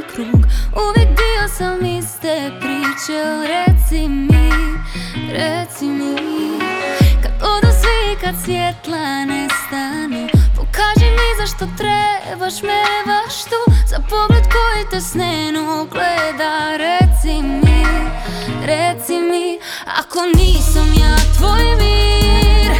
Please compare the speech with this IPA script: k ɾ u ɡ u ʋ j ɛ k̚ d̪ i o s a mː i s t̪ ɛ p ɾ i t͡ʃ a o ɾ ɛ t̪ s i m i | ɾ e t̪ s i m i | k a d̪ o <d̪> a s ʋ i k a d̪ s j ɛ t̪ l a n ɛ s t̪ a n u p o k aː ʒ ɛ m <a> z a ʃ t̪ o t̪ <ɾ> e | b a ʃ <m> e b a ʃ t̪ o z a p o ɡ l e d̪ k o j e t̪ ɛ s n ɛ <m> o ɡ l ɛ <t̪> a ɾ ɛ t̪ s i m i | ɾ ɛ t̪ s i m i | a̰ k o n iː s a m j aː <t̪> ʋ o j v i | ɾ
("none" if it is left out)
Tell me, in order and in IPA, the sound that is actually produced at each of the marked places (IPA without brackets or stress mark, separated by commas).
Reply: d̪, i, ɾ, m, n, d̪, t̪